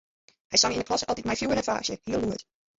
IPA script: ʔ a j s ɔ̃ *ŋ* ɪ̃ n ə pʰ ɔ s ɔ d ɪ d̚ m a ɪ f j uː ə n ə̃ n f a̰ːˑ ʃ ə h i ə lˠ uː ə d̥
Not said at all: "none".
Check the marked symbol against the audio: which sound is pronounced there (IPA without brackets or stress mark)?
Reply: ŋ